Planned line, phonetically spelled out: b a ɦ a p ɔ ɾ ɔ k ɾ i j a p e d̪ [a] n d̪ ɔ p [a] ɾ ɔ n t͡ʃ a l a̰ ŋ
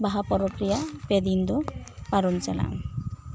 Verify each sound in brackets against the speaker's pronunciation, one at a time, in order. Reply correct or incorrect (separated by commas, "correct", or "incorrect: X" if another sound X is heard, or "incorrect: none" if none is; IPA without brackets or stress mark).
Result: incorrect: i, correct